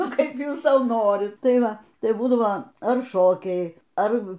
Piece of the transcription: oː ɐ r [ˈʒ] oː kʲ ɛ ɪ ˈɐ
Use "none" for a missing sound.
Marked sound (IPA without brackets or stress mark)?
ʃ